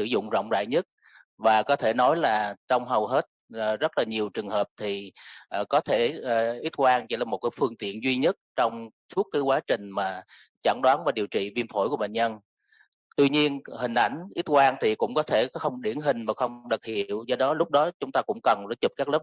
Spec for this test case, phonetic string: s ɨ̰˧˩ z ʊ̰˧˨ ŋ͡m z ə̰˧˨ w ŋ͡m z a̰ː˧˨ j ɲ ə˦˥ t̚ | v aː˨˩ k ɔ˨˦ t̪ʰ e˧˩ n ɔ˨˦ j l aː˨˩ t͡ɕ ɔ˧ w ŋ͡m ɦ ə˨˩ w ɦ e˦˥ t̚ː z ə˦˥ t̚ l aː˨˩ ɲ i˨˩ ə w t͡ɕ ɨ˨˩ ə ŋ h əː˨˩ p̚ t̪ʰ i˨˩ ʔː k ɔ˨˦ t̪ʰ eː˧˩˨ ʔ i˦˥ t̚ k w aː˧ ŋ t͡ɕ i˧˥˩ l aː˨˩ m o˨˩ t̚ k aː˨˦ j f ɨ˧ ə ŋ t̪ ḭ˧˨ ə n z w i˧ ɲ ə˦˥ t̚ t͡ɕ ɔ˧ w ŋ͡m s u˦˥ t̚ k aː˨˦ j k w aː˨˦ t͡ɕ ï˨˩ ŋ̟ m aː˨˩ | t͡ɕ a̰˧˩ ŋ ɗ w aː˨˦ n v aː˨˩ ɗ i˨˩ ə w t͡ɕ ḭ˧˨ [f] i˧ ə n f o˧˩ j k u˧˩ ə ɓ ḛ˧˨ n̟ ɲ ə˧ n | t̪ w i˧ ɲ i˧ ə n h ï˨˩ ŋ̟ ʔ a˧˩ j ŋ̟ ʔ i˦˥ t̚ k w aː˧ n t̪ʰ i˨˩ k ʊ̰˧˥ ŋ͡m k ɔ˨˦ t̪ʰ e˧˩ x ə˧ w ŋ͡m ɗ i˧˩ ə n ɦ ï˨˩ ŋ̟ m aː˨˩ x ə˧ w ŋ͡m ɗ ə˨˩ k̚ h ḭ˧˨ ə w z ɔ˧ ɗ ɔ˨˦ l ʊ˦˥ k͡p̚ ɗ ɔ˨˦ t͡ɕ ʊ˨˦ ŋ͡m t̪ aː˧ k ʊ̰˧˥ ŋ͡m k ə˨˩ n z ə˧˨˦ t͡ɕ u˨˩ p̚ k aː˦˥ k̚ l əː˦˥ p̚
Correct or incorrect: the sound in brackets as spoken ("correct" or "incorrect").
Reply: incorrect